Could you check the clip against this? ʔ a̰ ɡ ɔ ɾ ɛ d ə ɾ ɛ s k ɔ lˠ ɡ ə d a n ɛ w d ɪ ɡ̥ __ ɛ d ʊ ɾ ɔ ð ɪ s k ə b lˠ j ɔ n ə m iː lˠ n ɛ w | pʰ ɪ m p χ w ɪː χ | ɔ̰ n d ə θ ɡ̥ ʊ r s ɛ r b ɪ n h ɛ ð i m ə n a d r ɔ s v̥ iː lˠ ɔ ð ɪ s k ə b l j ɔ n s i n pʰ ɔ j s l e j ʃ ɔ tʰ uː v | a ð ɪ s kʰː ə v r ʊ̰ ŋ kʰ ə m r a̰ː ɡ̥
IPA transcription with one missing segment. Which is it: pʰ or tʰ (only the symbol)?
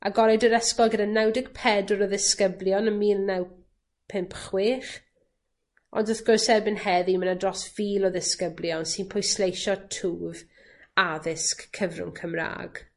pʰ